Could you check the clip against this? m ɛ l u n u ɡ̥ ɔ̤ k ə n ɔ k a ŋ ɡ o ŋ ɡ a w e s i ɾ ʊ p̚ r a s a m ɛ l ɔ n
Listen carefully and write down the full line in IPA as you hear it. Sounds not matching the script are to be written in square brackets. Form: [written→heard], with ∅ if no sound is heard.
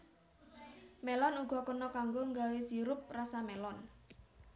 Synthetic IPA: m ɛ l [u→ɔ] n u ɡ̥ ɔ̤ k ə n ɔ k a ŋ ɡ o ŋ ɡ a w e s i ɾ ʊ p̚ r a s a m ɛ l ɔ n